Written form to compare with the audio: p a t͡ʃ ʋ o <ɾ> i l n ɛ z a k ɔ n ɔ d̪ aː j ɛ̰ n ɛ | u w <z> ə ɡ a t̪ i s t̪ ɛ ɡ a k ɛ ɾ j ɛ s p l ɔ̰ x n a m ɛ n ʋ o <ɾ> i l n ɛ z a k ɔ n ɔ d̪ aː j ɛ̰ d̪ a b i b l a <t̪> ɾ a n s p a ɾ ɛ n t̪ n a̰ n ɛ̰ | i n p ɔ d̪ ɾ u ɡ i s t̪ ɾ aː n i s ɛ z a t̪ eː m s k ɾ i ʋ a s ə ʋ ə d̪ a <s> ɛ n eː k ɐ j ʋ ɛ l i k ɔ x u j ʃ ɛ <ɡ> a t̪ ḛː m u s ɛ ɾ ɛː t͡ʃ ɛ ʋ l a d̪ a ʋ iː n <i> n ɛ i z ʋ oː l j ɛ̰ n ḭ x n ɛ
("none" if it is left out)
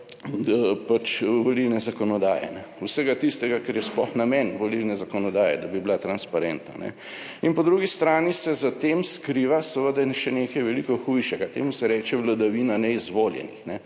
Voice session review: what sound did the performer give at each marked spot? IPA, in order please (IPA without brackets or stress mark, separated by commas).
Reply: l, s, l, t̪, ʃ, ɡ, a